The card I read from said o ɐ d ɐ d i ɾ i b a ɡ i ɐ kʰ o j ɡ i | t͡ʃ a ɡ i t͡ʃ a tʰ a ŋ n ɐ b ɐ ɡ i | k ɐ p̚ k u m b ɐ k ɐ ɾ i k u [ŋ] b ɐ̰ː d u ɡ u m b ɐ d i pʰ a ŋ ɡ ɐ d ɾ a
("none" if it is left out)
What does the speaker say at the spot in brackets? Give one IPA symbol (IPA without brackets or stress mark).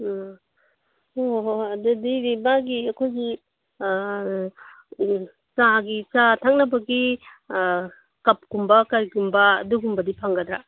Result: m